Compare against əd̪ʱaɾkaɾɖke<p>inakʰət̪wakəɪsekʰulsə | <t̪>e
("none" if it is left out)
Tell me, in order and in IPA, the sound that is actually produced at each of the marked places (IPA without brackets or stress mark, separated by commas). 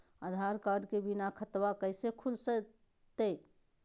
b, t̪